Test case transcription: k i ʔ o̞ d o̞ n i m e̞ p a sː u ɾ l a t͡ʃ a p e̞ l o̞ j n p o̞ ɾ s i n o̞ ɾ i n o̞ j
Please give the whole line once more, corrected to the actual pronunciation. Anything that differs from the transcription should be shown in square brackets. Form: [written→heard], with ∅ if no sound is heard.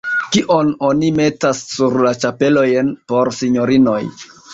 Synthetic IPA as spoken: k i ʔ o̞ [d→n] o̞ n i m e̞ [p→t] a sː u ɾ l a t͡ʃ a p e̞ l o̞ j n p o̞ ɾ s i [n→ɲ] o̞ ɾ i n o̞ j

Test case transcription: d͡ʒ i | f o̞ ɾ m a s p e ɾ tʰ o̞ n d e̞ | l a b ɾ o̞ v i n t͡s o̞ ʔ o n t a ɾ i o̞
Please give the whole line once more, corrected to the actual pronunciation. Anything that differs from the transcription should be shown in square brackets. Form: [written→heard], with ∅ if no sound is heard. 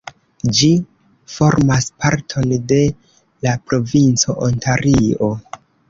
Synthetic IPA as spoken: d͡ʒ i | f o̞ ɾ m a s p [e→a] ɾ tʰ o̞ n d e̞ | l a [b→p] ɾ o̞ v i n t͡s o̞ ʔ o n t a ɾ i o̞

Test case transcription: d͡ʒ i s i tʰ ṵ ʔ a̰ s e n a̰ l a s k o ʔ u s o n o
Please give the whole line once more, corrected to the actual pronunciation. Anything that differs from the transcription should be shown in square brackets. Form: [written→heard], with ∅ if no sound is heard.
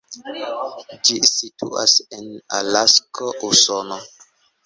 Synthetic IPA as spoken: d͡ʒ i s i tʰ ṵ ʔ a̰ s e n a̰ l a s k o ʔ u s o n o

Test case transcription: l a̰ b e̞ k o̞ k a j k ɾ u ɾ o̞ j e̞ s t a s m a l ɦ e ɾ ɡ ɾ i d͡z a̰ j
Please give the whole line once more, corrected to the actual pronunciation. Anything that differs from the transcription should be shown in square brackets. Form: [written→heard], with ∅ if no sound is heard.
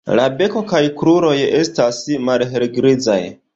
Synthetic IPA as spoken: l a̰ b e̞ k o̞ k a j k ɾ u ɾ o̞ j e̞ s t a s m a l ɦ e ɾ ɡ ɾ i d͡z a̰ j

